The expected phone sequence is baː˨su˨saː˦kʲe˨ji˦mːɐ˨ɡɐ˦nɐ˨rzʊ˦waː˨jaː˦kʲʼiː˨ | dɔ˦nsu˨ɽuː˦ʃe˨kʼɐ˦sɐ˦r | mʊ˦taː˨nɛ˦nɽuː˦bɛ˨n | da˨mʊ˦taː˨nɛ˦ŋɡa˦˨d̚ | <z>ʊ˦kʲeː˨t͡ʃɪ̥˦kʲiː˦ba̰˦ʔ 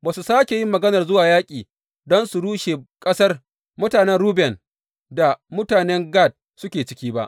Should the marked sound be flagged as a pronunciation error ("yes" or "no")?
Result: yes